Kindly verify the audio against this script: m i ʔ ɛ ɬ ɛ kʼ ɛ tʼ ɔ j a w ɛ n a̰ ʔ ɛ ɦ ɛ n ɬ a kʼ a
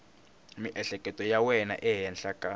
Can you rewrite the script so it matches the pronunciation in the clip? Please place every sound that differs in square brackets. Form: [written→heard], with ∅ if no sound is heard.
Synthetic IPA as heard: m i ʔ ɛ ɬ ɛ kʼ ɛ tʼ ɔ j a w ɛ n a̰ ʔ ɛ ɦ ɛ n ɬ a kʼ a